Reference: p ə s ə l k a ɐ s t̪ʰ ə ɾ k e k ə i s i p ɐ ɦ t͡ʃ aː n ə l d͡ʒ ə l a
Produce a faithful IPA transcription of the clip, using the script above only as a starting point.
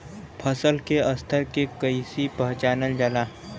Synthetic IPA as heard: pʰ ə s ə l k e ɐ s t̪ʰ ə ɾ k e k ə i s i p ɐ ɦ t͡ʃ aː n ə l d͡ʒ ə l a